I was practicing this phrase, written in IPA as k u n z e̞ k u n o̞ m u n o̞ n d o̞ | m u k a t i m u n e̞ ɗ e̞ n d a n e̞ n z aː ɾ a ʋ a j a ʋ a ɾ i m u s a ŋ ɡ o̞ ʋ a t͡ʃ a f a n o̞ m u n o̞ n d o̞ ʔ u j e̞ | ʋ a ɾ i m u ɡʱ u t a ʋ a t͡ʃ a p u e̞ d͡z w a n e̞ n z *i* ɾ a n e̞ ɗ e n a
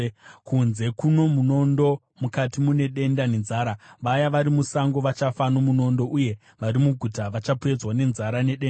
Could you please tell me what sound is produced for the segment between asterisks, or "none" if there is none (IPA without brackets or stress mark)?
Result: a